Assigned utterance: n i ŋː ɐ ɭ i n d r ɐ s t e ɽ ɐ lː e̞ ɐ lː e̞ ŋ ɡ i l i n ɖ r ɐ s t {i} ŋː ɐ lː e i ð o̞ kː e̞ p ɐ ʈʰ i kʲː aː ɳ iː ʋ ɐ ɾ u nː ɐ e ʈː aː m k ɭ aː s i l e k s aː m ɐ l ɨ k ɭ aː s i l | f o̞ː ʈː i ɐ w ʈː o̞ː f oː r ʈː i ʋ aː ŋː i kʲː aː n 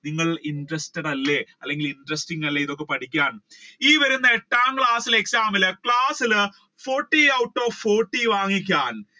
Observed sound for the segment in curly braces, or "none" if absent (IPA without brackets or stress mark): i